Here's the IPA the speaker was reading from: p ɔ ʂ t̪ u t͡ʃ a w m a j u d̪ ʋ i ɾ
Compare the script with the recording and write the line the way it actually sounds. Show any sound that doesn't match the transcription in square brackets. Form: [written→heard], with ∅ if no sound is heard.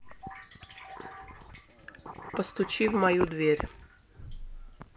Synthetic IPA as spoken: p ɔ [ʂ→s] t̪ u t͡ʃ [a→i] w m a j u d̪ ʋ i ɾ